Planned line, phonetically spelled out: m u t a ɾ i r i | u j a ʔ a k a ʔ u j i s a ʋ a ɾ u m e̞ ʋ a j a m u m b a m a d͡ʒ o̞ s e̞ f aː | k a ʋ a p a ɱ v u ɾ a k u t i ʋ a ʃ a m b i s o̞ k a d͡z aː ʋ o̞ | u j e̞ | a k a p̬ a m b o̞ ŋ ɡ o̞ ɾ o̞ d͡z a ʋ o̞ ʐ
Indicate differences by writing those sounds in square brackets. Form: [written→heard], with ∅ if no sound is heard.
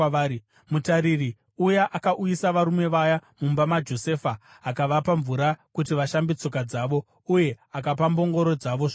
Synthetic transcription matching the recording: m u t a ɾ i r i | u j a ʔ a k a ʔ u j i s a ʋ a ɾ u m e̞ ʋ a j a m u m b a m a d͡ʒ o̞ s e̞ f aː | k a ʋ a p a ɱ v u ɾ a k u t i ʋ a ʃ a m b i [s→t͡s] o̞ k a d͡z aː ʋ o̞ | u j e̞ | a k a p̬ a m b o̞ ŋ ɡ o̞ ɾ o̞ d͡z a ʋ o̞ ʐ